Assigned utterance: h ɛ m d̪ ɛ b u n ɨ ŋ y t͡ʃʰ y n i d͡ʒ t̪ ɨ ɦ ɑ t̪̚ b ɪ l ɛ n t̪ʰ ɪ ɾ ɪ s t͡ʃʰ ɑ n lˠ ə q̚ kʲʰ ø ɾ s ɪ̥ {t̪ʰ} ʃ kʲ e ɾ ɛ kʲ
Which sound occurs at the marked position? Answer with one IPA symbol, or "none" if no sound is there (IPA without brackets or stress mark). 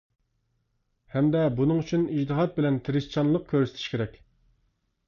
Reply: t̪ʰ